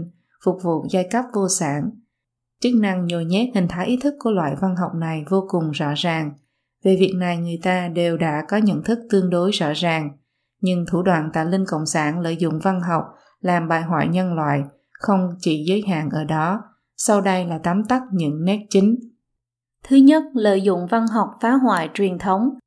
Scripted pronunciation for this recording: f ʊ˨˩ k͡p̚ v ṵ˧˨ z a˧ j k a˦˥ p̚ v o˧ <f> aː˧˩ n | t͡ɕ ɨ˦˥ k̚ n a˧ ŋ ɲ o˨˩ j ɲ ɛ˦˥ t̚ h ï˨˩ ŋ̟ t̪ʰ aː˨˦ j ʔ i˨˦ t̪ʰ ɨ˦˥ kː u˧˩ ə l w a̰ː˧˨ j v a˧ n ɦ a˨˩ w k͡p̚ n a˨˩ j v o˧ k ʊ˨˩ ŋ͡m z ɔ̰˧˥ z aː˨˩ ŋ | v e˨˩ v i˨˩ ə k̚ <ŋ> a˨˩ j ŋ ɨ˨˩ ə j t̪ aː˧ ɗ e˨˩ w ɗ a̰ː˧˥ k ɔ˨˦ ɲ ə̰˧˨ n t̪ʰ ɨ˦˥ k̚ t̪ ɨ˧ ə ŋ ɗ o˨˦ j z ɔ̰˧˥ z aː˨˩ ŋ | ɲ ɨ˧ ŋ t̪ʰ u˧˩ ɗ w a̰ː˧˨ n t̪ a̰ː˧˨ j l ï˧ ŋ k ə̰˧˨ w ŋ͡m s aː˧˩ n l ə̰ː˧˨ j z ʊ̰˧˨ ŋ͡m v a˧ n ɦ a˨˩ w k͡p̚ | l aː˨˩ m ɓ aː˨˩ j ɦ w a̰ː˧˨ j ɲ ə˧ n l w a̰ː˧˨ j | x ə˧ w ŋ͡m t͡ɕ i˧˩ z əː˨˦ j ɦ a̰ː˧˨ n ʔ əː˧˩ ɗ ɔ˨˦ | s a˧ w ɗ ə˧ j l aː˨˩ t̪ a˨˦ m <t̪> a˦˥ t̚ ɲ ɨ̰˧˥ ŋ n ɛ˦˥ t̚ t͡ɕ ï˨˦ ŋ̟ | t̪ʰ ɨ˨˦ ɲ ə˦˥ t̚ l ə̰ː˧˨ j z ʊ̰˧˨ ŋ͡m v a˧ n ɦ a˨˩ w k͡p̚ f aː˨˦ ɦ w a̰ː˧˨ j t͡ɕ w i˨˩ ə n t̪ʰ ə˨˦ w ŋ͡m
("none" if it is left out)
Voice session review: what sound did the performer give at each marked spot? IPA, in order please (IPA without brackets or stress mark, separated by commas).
s, n, t̪